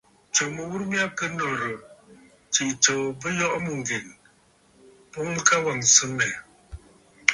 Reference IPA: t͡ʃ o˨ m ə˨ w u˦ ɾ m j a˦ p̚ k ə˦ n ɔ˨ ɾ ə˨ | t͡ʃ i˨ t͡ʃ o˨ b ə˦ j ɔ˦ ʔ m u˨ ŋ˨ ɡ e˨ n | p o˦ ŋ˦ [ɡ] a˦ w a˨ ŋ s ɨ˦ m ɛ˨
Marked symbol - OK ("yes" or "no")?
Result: no